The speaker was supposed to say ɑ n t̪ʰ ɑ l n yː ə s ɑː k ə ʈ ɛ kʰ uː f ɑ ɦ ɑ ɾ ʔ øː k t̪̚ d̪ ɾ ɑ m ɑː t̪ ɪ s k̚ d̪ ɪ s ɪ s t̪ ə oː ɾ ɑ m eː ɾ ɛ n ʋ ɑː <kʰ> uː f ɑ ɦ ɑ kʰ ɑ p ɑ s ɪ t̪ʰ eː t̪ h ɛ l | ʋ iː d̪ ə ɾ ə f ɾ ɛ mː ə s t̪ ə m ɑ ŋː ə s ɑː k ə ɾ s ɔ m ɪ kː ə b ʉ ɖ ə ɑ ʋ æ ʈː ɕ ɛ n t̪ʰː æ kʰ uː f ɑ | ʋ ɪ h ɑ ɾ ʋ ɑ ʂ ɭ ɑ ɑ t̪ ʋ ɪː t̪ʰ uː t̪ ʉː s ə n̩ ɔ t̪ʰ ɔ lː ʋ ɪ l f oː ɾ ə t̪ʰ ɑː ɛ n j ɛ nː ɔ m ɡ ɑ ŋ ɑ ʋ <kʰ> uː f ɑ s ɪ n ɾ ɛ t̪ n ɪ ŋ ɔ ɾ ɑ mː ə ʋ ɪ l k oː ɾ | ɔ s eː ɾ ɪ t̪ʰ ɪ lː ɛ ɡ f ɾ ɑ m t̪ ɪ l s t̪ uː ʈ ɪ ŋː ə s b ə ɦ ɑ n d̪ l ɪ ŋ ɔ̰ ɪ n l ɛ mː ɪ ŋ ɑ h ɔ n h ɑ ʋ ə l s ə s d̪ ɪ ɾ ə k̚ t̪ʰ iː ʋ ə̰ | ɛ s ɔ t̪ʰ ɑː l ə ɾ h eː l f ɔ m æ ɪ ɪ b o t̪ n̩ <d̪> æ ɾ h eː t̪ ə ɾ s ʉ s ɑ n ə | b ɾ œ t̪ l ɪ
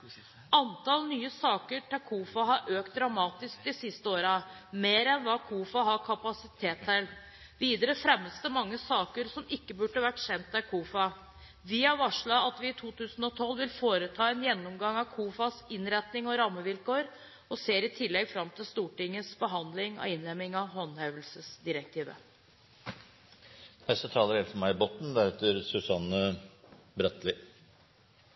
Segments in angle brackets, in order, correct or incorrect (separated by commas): correct, correct, correct